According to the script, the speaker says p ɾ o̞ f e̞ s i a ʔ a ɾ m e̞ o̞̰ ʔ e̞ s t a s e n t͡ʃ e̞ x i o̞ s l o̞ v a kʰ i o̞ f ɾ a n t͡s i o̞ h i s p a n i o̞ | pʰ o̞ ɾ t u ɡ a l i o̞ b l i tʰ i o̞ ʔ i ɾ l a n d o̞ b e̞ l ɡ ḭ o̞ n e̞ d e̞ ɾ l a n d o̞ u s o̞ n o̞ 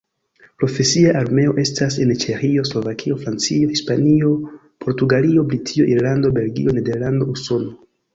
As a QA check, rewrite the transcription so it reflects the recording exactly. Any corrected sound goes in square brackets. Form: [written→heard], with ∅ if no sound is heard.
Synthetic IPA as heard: p ɾ o̞ f e̞ s i a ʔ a ɾ m e̞ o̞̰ ʔ e̞ s t a s e n t͡ʃ e̞ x i o̞ s l o̞ v a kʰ i o̞ f ɾ a n t͡s i o̞ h i s p a n i o̞ | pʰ o̞ ɾ t u ɡ a l i o̞ b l i tʰ i o̞ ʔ i ɾ l a n d o̞ b e̞ l ɡ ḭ o̞ n e̞ d e̞ ɾ l a n d o̞ u s o̞ n o̞